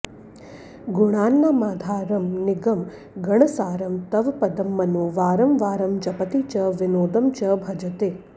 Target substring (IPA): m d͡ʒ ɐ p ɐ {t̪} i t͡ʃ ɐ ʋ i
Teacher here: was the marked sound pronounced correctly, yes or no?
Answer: yes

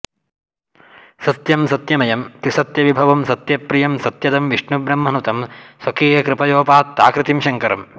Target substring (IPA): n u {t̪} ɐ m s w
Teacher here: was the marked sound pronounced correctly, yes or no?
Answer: yes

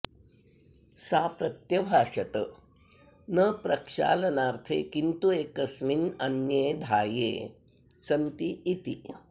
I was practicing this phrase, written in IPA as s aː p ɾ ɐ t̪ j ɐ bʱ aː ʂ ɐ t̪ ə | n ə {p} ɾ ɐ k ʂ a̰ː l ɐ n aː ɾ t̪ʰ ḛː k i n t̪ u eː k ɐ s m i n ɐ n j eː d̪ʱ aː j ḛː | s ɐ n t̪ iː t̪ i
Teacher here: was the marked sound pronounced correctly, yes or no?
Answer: yes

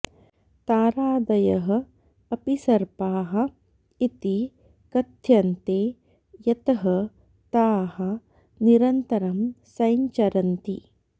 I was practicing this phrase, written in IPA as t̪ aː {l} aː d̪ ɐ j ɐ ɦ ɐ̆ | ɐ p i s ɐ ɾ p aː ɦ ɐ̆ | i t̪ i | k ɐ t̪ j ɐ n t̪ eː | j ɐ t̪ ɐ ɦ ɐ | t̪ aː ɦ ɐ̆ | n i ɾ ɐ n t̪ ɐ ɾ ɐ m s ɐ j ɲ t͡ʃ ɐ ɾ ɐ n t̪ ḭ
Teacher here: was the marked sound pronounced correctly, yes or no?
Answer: no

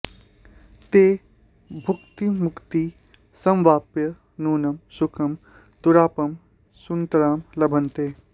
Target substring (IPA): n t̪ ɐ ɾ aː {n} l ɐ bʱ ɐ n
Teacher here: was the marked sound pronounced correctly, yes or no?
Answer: no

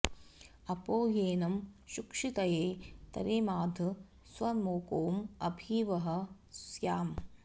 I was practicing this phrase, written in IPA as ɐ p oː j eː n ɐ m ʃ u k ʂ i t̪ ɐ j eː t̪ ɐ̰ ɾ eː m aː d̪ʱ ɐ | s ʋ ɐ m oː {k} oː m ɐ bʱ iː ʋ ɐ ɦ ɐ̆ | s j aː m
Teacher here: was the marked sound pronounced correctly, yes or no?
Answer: yes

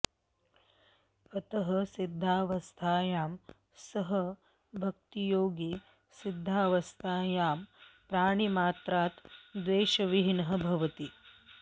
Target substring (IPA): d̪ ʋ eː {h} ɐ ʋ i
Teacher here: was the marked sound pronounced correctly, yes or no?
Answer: no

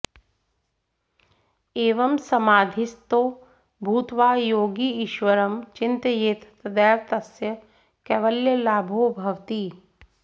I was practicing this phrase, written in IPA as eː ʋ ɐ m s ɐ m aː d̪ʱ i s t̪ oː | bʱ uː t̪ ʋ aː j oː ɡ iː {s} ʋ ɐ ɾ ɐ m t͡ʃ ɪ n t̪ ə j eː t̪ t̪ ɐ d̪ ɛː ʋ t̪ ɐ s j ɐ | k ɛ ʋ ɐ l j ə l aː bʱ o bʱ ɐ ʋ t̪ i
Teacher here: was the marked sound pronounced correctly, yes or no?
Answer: no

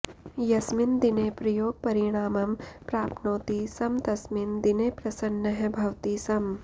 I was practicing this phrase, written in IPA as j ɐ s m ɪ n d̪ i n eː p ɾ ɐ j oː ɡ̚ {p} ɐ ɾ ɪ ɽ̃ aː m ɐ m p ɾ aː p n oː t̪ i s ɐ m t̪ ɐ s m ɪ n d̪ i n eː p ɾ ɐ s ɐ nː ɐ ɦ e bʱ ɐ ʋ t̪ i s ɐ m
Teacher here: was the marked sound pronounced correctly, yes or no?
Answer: yes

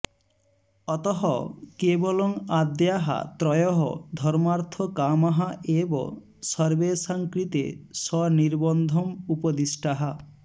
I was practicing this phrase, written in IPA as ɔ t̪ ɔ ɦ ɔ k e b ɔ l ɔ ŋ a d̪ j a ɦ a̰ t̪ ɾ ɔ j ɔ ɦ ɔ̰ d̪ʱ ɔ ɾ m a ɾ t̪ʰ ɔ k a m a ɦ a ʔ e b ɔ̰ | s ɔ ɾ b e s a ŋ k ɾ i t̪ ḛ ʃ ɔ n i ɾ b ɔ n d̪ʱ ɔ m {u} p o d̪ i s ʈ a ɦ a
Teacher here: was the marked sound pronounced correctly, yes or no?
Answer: yes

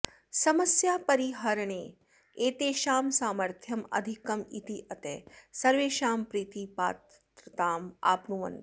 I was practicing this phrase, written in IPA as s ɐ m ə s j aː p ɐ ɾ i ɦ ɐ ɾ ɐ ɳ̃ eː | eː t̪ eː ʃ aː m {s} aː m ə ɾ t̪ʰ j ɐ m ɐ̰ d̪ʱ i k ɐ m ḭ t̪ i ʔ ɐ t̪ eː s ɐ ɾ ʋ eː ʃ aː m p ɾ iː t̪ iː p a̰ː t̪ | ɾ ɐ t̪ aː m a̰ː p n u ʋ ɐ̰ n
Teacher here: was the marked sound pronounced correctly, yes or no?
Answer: yes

